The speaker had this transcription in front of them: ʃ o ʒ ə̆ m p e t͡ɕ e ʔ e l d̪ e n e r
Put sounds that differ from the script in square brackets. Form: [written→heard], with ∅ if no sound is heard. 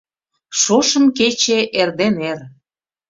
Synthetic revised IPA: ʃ o [ʒ→ʃ] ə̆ m [p→k] e t͡ɕ e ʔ e [l→r] d̪ e n e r